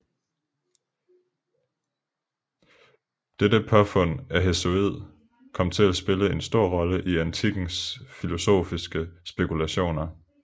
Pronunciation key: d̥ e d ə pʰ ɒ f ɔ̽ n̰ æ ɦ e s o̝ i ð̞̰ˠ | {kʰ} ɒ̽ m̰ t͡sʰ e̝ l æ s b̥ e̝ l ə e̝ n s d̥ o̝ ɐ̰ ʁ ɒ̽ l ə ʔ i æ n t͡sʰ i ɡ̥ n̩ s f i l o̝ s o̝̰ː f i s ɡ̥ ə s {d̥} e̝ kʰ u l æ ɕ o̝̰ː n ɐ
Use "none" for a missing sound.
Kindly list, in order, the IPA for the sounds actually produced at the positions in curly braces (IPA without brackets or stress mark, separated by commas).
kʰ, b̥